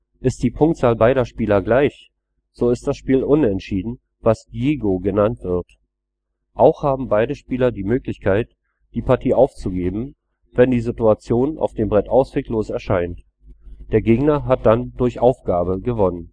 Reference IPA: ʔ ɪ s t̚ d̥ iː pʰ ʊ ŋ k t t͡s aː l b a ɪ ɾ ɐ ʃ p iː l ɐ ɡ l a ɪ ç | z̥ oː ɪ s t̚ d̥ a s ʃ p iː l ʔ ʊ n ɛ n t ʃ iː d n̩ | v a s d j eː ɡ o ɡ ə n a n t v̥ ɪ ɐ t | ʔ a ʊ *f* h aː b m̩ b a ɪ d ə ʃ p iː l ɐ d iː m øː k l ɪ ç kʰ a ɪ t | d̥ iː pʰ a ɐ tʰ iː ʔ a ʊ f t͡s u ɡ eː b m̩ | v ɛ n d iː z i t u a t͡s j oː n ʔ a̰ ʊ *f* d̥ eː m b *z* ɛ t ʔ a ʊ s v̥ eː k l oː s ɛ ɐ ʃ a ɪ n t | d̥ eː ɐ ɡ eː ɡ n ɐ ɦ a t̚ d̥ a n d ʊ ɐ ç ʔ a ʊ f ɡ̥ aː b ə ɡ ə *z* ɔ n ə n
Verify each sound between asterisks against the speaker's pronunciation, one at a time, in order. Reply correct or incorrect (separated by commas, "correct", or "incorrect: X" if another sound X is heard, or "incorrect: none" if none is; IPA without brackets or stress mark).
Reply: incorrect: x, correct, incorrect: ʁ, incorrect: v